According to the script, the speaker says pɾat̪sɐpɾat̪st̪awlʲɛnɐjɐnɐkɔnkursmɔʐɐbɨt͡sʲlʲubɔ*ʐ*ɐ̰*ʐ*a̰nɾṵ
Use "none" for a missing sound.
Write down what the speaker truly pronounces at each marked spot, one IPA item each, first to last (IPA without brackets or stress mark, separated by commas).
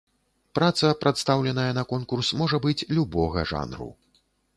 ɣ, ʐ